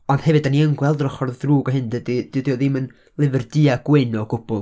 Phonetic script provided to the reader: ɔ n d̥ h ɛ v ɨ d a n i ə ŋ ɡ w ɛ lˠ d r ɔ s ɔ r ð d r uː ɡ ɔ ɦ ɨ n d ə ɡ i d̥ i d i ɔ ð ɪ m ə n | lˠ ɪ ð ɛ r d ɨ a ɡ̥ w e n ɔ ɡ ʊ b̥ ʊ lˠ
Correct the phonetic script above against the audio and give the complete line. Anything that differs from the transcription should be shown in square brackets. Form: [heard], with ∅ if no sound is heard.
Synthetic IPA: ɔ n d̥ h ɛ v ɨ d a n i ə ŋ ɡ w ɛ lˠ d r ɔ [χ] ɔ r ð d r uː ɡ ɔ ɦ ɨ n d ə [d] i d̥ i d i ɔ ð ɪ m ə n | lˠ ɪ [v] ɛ r d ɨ a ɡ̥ w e n ɔ ɡ ʊ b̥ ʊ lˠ